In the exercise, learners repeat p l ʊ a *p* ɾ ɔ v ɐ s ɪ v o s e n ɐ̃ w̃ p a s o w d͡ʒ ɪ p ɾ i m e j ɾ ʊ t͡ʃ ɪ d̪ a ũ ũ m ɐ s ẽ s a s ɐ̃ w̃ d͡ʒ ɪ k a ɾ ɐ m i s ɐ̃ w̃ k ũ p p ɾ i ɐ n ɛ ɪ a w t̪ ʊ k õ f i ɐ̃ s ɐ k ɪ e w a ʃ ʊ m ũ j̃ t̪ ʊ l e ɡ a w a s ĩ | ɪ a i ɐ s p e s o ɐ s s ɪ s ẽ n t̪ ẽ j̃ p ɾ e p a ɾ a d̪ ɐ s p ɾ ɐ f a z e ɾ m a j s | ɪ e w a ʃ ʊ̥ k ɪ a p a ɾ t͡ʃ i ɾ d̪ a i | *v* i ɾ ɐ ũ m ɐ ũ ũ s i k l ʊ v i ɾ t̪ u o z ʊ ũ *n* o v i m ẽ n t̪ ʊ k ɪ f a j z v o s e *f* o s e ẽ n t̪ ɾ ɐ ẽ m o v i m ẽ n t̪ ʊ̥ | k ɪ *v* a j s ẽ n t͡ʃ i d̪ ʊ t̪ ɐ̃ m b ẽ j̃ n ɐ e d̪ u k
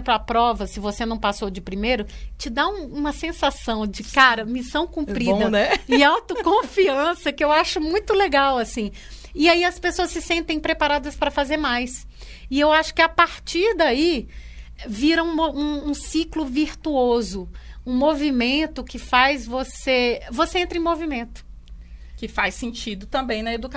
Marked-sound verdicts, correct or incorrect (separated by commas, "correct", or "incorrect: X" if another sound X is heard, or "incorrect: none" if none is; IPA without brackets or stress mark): correct, correct, incorrect: m, incorrect: v, incorrect: f